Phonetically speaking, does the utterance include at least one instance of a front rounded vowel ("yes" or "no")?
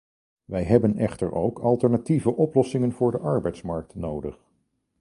no